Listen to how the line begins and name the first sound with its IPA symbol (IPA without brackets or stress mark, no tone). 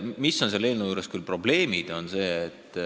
m